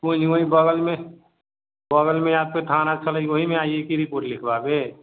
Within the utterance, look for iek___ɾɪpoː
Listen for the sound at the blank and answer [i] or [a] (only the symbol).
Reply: i